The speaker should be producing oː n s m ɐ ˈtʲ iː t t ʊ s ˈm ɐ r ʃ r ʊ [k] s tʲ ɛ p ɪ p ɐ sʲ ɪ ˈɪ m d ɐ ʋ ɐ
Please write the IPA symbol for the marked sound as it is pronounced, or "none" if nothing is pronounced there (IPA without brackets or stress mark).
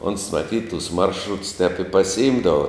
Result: t